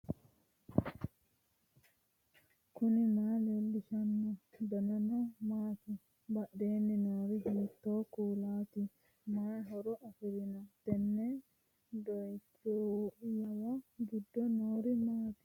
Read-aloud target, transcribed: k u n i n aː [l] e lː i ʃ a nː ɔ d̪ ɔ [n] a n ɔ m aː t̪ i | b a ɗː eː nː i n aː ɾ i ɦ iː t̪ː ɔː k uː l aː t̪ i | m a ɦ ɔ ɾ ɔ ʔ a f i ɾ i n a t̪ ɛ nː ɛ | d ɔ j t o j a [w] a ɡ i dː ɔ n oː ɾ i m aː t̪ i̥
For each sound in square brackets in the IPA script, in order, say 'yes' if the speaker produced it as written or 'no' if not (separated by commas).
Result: yes, yes, yes